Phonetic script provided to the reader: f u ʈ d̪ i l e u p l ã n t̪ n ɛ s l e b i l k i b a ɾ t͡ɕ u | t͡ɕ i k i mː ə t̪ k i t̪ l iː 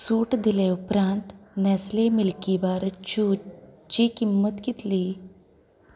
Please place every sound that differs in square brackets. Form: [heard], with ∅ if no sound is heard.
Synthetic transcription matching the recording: [s] u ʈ d̪ i l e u p [ɾ] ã n t̪ n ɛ s l e [m] i l k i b a ɾ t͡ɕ u | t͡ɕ i k i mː ə t̪ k i t̪ l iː